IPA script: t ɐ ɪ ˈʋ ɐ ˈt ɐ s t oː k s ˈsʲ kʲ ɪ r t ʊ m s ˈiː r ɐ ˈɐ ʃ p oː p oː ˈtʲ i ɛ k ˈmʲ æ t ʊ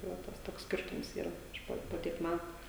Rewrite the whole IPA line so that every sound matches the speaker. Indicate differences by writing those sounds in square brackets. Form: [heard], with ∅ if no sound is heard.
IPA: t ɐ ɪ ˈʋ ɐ ˈt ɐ s t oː k s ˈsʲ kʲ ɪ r t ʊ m s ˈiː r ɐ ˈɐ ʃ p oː p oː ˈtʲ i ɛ k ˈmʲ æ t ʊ